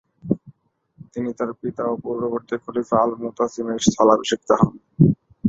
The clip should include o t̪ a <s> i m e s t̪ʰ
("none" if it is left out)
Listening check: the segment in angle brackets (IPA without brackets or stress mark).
s